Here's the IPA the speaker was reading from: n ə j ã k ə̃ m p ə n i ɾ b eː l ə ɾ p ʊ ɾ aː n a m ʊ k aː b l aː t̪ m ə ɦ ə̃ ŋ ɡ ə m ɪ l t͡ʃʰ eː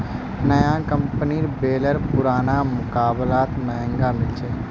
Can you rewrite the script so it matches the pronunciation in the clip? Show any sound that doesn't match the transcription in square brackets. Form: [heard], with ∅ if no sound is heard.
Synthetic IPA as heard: n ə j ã k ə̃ m p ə n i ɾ b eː l ə ɾ p ʊ ɾ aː n a m ʊ k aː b l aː t̪ m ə ɦ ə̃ ŋ ɡ [a] m ɪ l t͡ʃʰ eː